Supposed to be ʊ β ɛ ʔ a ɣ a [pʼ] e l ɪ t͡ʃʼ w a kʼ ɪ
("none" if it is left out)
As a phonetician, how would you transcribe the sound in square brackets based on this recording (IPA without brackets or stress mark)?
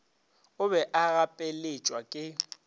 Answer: pʼ